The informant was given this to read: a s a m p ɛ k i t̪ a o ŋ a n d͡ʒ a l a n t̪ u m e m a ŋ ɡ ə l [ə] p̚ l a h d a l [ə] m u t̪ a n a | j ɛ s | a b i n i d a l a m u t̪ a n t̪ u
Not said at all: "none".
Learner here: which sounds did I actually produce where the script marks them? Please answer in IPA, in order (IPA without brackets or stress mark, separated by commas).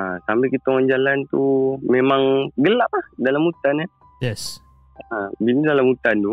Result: a, a